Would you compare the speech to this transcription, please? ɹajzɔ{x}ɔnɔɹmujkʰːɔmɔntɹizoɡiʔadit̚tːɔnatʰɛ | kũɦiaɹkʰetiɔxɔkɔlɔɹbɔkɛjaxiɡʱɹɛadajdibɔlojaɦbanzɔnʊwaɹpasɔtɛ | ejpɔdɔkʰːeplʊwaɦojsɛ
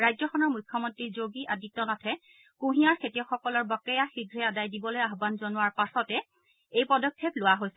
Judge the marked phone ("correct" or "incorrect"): correct